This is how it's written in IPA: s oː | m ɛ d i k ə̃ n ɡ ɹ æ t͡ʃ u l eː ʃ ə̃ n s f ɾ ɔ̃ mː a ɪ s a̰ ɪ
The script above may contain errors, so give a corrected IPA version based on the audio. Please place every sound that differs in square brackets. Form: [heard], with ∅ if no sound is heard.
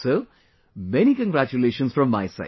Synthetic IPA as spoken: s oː | m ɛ [n] i k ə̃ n ɡ [ɾ] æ t͡ʃ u l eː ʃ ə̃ n s f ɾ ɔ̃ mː a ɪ s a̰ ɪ